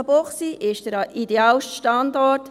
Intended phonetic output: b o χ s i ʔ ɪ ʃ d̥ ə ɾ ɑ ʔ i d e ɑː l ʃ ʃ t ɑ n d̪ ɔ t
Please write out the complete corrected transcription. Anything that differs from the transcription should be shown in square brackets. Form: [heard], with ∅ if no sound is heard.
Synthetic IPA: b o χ s i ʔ ɪ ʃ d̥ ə ɾ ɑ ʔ i d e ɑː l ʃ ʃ t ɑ n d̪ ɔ t

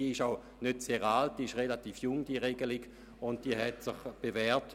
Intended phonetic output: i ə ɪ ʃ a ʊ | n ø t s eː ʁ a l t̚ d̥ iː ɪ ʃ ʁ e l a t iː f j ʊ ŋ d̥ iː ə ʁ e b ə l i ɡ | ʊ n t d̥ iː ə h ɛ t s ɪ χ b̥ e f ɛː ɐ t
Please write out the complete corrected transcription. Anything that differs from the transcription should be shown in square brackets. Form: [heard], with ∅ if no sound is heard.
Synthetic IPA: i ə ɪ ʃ a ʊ | n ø t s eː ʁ a l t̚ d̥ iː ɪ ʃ ʁ e l a t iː f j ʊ ŋ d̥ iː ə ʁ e [ɡ] ə l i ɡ | ʊ n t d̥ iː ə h ɛ t s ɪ χ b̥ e [v] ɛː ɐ t

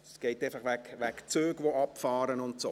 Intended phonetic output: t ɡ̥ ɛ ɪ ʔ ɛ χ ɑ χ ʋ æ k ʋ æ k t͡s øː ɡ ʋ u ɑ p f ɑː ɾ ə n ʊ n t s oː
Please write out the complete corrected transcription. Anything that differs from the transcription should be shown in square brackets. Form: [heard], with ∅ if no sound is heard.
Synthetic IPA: [s] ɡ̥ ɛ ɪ [t] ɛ [f] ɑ χ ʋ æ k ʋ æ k t͡s øː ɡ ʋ [o] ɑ p f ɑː ɾ ə n ʊ n t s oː

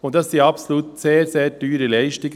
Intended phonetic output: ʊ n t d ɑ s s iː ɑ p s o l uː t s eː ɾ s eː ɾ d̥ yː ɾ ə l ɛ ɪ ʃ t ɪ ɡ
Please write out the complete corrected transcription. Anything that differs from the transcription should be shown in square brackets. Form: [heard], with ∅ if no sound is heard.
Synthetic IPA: ʊ n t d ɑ s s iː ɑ p s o l uː t s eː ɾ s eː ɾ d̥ yː ɾ ə l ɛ ɪ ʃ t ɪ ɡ

